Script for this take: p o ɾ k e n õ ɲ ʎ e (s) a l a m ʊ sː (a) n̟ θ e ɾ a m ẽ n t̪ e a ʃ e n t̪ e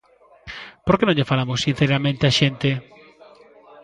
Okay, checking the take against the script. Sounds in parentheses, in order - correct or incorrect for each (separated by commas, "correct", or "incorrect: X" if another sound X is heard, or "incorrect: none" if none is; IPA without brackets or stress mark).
incorrect: f, incorrect: i